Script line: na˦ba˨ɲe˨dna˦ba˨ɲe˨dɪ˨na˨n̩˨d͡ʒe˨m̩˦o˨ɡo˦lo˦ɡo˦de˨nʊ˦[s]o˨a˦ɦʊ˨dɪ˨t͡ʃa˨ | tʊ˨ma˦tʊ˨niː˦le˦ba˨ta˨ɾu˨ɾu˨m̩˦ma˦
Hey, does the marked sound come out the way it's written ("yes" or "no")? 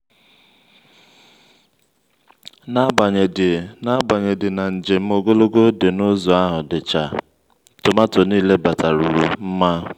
no